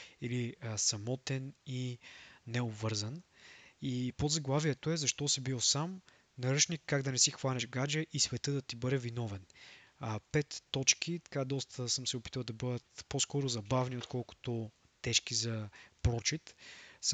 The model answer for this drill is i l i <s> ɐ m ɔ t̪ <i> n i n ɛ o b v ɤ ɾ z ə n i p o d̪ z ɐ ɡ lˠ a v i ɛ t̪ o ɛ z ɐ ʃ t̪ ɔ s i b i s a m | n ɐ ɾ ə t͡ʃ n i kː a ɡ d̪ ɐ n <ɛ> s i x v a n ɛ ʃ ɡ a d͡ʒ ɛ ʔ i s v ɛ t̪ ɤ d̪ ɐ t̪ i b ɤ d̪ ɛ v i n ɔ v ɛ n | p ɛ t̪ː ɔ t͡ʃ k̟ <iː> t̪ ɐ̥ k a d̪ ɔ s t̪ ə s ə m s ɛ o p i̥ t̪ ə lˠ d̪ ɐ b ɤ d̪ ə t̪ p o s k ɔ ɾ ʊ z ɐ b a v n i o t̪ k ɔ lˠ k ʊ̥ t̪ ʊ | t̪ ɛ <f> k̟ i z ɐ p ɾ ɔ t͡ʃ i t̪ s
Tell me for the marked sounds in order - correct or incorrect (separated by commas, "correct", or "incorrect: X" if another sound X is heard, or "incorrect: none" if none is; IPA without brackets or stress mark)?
correct, incorrect: ɛ, correct, incorrect: i, incorrect: ʃ